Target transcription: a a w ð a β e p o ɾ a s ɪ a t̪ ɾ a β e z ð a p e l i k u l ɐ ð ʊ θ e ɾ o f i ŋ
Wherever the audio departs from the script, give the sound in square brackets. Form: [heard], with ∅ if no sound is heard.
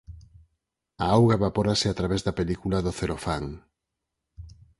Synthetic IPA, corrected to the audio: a a w [ɣ] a β [a] p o ɾ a s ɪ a t̪ ɾ a β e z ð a p e l i k u l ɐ ð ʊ θ e ɾ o f [a] ŋ